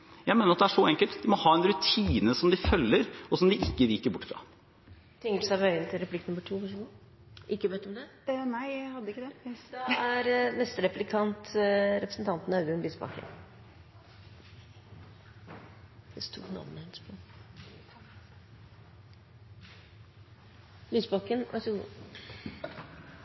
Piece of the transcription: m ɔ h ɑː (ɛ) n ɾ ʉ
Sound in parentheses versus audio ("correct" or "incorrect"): correct